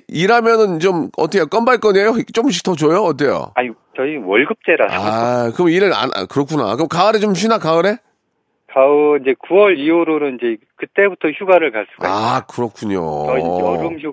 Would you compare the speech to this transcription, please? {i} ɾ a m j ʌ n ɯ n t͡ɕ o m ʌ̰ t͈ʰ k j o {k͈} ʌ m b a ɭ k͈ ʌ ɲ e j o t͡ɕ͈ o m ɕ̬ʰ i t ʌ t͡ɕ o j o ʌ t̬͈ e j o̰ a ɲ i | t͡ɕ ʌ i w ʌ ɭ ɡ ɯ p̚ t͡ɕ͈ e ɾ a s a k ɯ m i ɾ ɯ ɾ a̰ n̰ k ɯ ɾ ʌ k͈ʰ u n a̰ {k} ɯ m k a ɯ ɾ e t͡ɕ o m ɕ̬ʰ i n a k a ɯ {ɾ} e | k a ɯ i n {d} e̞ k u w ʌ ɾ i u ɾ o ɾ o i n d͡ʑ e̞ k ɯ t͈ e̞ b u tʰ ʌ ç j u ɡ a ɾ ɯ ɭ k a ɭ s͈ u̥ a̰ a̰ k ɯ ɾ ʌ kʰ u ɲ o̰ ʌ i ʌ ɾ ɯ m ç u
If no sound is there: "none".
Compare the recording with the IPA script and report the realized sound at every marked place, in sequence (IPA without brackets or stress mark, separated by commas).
i, k͈, k, ɾ, d͡ʑ